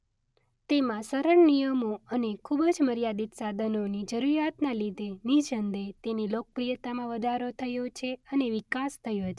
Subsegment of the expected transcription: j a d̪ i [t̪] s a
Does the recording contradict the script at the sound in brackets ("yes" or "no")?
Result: no